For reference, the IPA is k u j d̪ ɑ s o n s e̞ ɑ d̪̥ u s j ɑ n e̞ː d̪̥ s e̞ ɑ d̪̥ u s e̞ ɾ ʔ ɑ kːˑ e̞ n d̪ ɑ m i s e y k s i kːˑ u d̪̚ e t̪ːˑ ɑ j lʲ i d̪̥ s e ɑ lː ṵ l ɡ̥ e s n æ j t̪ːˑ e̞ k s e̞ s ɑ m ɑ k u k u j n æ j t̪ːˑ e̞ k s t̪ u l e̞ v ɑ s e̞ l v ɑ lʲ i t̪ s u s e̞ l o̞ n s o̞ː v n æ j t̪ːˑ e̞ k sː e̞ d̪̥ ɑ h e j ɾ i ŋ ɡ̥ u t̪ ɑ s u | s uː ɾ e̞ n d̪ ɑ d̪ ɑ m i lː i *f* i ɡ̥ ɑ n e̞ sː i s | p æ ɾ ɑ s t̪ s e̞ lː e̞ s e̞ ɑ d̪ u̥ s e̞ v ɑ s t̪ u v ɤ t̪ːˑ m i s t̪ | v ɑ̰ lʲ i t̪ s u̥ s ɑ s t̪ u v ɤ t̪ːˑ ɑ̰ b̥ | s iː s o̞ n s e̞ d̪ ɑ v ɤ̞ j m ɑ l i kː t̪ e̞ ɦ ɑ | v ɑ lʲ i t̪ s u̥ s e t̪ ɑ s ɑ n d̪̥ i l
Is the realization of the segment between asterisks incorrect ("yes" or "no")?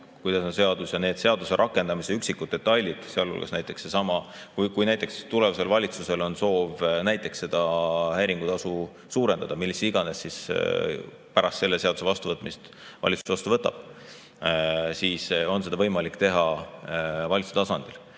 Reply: yes